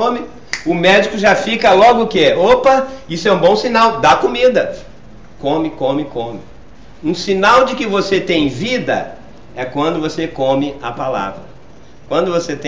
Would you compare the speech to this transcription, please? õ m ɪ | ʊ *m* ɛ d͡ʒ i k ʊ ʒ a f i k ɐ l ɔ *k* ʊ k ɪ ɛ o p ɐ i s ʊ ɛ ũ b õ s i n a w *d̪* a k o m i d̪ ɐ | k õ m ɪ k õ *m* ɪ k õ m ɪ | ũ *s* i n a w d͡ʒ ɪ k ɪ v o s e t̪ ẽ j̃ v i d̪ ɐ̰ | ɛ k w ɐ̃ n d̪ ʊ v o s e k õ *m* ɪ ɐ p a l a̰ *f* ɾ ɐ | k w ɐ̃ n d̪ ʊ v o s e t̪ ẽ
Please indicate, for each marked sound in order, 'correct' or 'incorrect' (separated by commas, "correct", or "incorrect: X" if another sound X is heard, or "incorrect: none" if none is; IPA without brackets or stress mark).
correct, incorrect: ɡ, correct, correct, correct, correct, incorrect: v